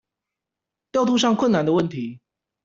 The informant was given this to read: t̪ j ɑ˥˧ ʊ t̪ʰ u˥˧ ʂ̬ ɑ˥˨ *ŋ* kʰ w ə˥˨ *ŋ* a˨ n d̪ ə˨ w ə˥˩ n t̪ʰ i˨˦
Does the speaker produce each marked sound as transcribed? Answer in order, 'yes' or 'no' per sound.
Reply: yes, no

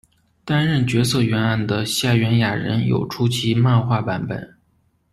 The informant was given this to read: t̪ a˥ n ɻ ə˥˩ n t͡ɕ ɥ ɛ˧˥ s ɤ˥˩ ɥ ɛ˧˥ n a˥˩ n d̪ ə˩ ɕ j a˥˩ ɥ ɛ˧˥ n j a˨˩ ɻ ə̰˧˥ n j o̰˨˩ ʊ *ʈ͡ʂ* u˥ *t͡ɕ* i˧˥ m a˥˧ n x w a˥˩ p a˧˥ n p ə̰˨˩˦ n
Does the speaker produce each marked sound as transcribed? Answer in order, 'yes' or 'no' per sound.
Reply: no, no

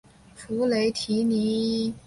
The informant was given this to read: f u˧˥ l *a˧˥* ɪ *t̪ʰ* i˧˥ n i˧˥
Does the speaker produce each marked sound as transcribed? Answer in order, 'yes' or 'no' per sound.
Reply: no, yes

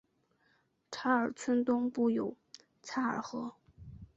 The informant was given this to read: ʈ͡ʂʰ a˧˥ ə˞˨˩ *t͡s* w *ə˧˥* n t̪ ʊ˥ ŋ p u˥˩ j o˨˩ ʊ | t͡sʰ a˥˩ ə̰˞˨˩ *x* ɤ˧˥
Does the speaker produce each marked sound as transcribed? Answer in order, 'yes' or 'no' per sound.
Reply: no, no, yes

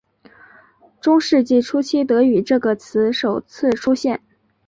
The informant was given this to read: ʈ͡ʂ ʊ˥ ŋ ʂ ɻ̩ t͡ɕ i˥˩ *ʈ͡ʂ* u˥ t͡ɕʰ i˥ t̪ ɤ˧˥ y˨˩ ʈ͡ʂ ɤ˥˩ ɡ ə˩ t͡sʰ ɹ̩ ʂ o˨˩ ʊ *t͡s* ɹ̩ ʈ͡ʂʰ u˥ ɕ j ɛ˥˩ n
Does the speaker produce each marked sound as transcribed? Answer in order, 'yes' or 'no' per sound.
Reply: no, no

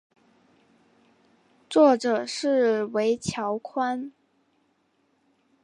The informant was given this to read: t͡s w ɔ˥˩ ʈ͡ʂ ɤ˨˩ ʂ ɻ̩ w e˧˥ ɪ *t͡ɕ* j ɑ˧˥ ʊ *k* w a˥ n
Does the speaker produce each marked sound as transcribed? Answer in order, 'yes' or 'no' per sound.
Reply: no, no

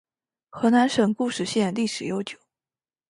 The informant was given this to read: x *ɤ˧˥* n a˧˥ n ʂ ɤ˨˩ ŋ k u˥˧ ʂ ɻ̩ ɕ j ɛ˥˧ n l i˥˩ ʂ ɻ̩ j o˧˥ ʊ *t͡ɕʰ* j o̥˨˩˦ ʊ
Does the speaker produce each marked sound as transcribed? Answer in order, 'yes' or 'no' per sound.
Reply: yes, no

